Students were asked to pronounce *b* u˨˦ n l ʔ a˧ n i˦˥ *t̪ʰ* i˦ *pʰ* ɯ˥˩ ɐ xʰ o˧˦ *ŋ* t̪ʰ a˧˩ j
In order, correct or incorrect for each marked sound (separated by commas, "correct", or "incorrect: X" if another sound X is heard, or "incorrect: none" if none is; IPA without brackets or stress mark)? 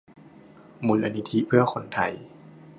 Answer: incorrect: m, correct, correct, incorrect: n